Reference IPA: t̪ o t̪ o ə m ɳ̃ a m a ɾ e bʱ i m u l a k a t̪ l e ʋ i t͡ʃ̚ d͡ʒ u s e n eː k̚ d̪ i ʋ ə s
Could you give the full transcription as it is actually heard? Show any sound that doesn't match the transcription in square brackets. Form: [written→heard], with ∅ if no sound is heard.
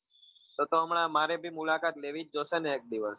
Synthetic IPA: t̪ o t̪ o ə m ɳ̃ a m a ɾ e bʱ i m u l a k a t̪ l e ʋ i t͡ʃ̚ d͡ʒ [u→o] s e n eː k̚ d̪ i ʋ ə s